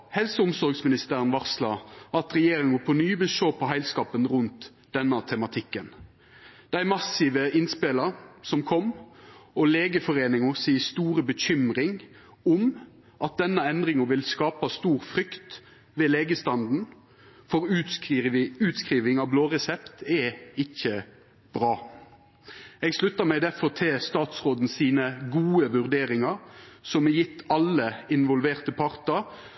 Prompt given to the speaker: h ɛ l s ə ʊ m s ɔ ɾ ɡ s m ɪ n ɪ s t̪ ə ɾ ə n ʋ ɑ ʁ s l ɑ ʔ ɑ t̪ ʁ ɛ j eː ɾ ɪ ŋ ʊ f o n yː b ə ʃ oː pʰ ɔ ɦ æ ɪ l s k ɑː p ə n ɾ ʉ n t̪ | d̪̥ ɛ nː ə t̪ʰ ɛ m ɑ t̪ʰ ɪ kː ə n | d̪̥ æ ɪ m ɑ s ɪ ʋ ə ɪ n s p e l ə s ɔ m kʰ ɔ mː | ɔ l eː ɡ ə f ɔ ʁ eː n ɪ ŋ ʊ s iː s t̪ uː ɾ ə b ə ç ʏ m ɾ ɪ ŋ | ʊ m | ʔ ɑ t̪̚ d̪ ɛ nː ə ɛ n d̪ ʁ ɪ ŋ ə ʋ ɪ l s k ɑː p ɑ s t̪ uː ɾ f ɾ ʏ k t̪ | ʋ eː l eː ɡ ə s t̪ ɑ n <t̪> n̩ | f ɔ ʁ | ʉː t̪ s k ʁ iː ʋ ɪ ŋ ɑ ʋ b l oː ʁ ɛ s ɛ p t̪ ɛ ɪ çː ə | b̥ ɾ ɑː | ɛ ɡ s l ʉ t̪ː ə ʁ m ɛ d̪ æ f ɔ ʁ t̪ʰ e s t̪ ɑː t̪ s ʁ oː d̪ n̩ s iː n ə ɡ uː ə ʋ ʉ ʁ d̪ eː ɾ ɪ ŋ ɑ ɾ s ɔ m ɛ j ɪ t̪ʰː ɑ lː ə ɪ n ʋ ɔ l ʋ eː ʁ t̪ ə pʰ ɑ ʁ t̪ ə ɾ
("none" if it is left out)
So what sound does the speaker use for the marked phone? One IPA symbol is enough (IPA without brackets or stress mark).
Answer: d̪